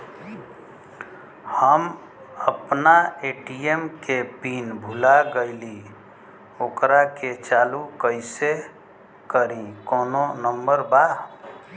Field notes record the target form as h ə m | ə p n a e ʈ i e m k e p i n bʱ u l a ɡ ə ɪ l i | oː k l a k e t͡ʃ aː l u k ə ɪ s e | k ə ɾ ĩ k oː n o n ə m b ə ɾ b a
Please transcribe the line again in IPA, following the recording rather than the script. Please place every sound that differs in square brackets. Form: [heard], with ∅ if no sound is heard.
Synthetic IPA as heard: h ə m | ə p n a e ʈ i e m k e p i n bʱ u l a ɡ ə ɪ l i | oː k [ɾ] a k e t͡ʃ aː l u k ə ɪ s e | k ə ɾ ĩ k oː n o n ə m b ə ɾ b a

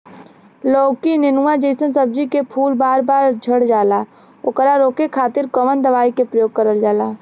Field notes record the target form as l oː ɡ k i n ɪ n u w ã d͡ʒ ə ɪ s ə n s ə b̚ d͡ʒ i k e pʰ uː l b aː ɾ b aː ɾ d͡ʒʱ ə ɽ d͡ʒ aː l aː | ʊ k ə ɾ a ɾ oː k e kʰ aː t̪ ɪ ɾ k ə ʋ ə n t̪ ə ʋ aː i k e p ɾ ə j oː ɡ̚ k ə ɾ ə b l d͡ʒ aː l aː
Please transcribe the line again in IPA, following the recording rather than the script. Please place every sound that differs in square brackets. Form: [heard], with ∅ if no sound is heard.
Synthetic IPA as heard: l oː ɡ k i n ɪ n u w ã d͡ʒ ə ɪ s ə n s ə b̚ d͡ʒ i k e pʰ uː l b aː ɾ b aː ɾ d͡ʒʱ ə ɽ d͡ʒ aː l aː | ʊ k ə ɾ a ɾ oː k e kʰ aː t̪ ɪ ɾ k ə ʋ ə n [d̪] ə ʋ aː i k e p ɾ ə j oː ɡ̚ k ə ɾ ə [∅] l d͡ʒ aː l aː

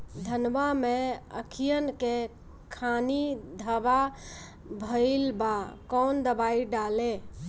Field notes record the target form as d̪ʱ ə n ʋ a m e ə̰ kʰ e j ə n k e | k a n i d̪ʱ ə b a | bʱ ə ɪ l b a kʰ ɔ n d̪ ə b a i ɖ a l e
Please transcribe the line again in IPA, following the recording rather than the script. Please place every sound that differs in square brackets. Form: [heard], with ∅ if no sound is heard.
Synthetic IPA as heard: d̪ʱ ə n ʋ a m e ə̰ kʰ [i] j ə n k e | [kʰ] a n i d̪ʱ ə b a | bʱ ə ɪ l b a [k] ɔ n d̪ ə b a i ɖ a l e

